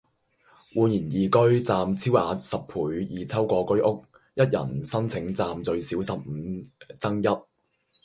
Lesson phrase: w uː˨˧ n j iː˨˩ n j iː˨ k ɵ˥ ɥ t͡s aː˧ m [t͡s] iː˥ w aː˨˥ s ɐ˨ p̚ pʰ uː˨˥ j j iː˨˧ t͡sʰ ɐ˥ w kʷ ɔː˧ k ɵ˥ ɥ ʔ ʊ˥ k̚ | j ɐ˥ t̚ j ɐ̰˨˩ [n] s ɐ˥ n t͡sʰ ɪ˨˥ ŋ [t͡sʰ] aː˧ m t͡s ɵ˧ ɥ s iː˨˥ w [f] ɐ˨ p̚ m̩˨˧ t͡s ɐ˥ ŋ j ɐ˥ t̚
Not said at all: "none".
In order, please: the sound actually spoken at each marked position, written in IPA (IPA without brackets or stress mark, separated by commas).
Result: t͡sʰ, n, t͡s, s